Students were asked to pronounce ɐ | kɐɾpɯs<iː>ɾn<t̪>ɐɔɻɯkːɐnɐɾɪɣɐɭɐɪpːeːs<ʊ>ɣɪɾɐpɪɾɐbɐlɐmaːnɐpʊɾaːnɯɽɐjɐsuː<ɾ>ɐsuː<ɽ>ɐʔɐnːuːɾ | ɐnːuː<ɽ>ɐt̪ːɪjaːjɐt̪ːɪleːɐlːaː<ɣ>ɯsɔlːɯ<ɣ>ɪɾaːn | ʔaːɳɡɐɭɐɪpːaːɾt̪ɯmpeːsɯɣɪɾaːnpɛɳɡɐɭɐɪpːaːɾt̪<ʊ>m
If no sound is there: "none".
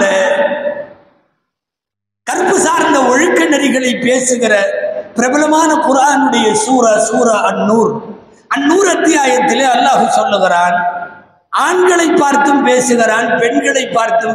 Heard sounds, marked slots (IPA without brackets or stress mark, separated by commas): aː, d̪, ɯ, ɾ, ɾ, ɾ, ɣ, ɣ, ɯ